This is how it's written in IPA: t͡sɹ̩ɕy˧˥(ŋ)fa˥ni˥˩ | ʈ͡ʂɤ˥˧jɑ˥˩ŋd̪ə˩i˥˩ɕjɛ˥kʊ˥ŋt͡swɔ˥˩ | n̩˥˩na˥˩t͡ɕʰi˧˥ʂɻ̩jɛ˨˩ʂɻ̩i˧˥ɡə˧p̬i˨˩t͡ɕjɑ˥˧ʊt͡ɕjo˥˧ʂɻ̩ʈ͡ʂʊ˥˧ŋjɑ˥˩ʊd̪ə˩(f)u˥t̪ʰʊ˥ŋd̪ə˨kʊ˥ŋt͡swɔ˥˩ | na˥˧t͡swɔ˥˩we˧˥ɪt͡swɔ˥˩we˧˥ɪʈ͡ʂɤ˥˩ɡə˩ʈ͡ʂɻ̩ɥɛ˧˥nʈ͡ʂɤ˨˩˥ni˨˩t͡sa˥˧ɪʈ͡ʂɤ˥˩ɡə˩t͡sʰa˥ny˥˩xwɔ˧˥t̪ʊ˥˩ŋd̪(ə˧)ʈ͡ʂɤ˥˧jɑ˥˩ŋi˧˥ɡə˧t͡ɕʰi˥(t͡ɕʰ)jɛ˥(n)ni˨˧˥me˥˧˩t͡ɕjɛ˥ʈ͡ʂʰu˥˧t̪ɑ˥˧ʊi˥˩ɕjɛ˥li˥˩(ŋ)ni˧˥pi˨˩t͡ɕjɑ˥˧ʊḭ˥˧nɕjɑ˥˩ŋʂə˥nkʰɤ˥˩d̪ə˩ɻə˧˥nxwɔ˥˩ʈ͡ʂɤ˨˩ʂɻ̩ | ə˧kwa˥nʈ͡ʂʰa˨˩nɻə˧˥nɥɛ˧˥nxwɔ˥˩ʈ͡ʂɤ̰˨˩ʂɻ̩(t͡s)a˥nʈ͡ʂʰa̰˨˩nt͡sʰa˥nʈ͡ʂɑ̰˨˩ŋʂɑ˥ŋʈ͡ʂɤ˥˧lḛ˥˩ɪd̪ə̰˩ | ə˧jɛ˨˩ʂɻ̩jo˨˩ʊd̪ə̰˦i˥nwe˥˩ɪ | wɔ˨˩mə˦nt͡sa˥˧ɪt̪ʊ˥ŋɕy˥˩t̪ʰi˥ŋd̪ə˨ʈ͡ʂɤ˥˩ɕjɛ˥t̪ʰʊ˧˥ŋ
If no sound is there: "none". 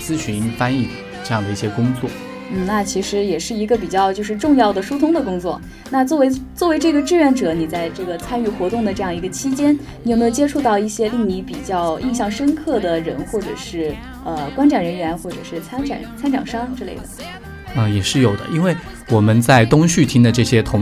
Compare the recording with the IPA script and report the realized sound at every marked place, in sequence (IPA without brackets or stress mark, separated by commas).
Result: n, ʂ, ə˩, t͡ɕ, n, ŋ, t͡sʰ